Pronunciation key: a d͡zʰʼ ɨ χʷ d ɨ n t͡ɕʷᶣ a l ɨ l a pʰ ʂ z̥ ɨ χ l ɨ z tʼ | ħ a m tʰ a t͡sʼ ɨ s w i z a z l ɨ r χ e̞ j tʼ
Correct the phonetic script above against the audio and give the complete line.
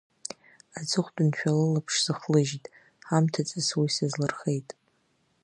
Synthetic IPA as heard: a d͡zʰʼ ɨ χʷ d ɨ n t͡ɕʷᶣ a l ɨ l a pʰ ʂ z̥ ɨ χ l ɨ ʒ tʼ | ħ a m tʰ a t͡sʼ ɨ s w i s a z l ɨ r χ e̞ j tʼ